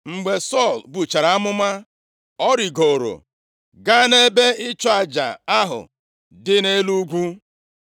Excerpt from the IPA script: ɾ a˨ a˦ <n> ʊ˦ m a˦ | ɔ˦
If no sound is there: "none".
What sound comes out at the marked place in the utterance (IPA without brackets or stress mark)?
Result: m